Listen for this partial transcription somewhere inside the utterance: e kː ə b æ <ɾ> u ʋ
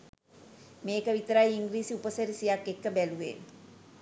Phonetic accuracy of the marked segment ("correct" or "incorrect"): incorrect